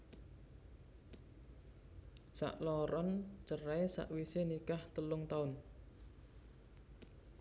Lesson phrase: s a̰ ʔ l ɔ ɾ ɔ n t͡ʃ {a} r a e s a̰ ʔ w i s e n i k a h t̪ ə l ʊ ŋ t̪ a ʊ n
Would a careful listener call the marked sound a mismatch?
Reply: yes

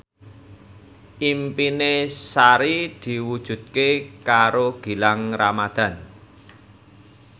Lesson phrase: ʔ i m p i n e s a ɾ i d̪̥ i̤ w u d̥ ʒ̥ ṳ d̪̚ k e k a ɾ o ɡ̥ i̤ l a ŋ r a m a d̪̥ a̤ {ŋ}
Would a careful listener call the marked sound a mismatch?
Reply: yes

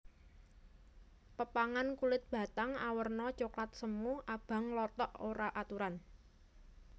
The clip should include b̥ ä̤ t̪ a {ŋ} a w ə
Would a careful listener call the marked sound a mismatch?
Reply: no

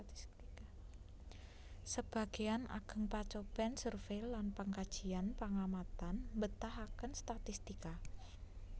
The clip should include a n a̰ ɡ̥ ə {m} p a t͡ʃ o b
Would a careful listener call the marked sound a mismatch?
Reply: yes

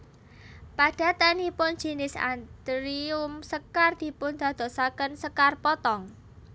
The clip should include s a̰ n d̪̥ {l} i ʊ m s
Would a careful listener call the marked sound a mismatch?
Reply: yes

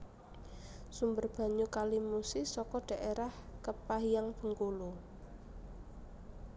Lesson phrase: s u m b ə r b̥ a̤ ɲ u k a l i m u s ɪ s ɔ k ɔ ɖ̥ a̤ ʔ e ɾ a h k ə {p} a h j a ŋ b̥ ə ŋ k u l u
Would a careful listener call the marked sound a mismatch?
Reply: no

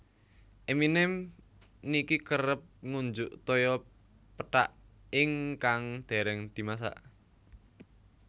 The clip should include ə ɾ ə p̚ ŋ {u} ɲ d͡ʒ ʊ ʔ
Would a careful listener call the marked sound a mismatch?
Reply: no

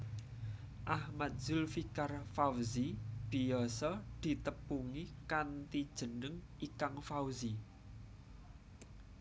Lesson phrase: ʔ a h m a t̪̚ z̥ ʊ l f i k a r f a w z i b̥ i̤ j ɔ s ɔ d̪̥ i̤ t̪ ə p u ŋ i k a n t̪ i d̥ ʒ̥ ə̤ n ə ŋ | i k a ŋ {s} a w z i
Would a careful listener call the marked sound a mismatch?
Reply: yes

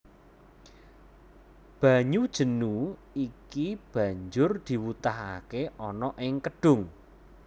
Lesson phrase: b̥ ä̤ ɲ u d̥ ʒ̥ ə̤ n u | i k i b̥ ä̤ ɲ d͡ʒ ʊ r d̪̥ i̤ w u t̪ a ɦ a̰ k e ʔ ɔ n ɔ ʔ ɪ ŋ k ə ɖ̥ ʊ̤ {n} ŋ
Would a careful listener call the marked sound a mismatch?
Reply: yes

